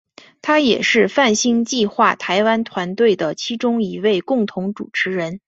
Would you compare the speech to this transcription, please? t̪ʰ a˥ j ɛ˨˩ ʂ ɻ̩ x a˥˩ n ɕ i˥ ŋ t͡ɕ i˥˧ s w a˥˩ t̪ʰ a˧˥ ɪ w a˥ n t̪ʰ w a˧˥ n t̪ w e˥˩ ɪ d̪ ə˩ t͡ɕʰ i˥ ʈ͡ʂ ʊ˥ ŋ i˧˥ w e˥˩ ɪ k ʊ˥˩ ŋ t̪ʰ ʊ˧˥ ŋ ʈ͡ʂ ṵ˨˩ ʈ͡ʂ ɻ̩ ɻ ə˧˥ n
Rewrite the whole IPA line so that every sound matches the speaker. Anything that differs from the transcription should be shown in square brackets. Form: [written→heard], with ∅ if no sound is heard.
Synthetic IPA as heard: t̪ʰ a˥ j ɛ˨˩ ʂ ɻ̩ [x→f] a˥˩ n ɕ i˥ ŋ t͡ɕ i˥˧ [s→x] w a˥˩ t̪ʰ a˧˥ ɪ w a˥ n t̪ʰ w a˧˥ n t̪ w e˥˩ ɪ d̪ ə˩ t͡ɕʰ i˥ ʈ͡ʂ ʊ˥ ŋ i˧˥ w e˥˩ ɪ k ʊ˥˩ ŋ t̪ʰ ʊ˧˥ ŋ ʈ͡ʂ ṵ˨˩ [ʈ͡ʂ→ʈ͡ʂʰ] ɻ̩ ɻ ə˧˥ n